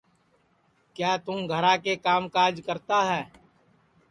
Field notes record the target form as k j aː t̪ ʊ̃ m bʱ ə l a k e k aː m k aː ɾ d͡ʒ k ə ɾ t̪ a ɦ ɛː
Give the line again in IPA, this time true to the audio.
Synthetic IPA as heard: k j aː t̪ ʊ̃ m ɡʱ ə ɾ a k e k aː m k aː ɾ d͡ʒ k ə ɾ t̪ a ɦ ɛː